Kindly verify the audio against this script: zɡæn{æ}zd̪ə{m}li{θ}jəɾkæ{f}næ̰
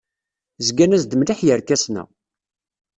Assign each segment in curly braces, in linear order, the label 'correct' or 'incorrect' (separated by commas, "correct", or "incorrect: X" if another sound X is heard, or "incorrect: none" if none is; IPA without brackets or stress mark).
correct, correct, incorrect: ħ, incorrect: s